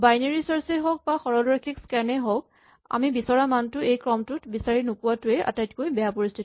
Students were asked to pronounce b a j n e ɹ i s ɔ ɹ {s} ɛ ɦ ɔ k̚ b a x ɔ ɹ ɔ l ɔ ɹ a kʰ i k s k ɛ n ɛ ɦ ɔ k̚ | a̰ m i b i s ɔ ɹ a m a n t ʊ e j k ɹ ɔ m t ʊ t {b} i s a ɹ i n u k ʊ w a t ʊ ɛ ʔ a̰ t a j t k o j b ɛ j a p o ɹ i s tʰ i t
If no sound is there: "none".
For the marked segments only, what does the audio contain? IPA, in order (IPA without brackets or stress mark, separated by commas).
s, b